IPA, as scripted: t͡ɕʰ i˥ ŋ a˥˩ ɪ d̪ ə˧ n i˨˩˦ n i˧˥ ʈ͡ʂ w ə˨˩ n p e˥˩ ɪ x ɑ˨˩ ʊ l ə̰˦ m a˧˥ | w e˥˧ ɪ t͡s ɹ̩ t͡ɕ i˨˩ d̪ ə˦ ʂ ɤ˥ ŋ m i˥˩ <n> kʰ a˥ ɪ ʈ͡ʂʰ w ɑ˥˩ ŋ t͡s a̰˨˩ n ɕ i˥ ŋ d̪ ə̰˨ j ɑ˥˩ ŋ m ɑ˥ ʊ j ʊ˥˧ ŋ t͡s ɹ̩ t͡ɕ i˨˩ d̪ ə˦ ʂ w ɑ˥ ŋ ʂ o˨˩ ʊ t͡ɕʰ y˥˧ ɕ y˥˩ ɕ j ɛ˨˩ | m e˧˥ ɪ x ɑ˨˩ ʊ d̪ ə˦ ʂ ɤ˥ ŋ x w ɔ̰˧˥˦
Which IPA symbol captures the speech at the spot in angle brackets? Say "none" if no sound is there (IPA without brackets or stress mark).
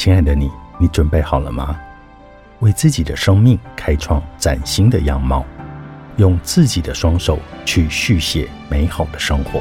ŋ